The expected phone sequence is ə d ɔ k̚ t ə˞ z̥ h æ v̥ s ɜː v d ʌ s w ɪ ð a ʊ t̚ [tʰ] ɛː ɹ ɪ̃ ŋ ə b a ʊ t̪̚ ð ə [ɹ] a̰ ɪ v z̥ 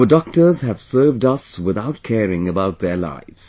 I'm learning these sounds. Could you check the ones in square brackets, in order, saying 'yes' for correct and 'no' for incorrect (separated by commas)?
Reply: no, no